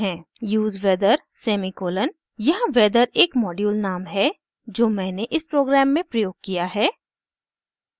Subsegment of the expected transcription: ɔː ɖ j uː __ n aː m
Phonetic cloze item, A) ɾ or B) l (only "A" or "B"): B